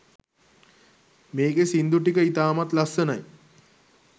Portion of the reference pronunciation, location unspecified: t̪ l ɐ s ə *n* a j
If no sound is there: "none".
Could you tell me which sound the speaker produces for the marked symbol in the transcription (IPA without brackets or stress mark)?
n